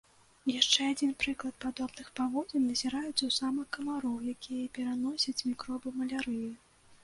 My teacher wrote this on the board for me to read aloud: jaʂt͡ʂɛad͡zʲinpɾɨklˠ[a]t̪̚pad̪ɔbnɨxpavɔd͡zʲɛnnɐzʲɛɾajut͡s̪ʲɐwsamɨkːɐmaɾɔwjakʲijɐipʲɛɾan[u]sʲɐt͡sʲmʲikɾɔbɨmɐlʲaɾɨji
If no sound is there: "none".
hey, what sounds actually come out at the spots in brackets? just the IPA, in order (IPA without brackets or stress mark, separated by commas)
ɐ, ɔ